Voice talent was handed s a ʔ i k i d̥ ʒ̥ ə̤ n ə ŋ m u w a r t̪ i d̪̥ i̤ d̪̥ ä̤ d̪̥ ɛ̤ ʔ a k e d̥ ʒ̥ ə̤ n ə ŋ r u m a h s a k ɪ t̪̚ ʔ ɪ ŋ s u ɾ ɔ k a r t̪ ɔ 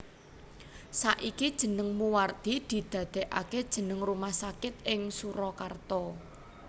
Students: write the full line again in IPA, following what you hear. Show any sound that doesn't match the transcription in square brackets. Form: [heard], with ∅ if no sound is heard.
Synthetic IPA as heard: s a ʔ i k i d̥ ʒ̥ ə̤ n ə ŋ m u w a r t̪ i d̪̥ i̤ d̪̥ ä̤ d̪̥ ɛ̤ ʔ a k e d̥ ʒ̥ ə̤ n ə ŋ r u m a h s a k ɪ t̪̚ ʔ ɪ ŋ s u ɾ ɔ k a r t̪ ɔ